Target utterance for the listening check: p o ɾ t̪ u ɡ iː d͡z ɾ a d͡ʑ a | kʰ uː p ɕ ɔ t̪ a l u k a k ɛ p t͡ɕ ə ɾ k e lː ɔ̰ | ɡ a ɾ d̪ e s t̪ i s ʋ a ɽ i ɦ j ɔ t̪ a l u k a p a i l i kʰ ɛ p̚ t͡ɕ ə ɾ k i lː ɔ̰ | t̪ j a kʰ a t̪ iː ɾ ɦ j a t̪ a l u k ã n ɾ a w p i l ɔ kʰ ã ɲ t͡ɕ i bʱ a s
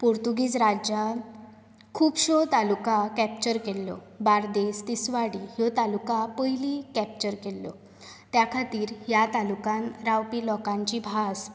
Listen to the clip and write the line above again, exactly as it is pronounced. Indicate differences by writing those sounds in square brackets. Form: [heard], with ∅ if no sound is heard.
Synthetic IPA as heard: p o ɾ t̪ u ɡ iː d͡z ɾ a d͡ʑ a | kʰ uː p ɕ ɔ t̪ a l u k a k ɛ p t͡ɕ ə ɾ k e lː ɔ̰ | [b] a ɾ d̪ e s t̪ i s ʋ a ɽ i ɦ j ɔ t̪ a l u k a p [ə] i l i [k] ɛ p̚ t͡ɕ ə ɾ k [e] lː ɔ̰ | t̪ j a kʰ a t̪ iː ɾ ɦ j a t̪ a l u k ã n ɾ a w p i l ɔ [k] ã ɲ t͡ɕ i bʱ a s